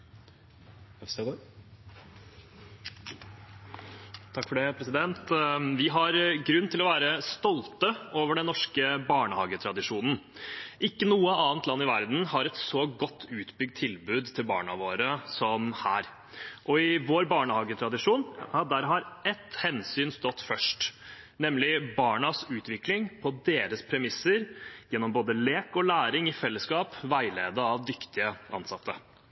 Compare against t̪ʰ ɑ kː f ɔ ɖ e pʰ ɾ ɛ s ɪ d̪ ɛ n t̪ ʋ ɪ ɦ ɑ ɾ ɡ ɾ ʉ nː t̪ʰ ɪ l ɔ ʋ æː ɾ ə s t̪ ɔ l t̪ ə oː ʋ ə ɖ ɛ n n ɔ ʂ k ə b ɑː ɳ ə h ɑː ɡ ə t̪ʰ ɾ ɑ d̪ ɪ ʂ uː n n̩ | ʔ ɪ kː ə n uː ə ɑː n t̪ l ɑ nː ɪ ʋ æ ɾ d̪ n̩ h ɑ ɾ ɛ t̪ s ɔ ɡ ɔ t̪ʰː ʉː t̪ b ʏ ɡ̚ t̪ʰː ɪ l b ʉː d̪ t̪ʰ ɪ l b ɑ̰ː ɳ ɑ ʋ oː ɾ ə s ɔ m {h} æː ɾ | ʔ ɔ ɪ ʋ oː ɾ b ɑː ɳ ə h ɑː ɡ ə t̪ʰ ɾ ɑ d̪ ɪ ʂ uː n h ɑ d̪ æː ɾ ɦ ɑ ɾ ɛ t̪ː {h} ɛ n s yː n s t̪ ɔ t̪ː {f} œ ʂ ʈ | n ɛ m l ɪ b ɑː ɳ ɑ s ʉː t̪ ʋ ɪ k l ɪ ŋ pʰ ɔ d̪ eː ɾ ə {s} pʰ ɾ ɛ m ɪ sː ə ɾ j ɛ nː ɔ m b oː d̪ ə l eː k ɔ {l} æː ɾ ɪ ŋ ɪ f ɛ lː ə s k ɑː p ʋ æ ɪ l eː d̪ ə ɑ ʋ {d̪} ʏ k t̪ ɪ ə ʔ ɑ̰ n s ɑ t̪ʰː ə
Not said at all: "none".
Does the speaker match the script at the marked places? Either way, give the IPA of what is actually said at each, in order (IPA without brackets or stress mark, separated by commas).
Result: h, h, f, s, l, d̪